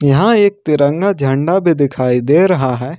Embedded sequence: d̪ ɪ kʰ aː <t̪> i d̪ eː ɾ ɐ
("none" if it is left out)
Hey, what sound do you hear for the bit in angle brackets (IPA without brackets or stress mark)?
none